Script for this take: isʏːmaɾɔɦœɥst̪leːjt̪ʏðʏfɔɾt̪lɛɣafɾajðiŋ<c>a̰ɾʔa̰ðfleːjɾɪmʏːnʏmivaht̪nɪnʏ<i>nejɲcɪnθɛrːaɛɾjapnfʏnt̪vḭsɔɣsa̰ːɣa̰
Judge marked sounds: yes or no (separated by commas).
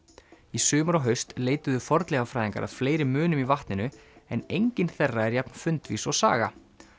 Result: no, no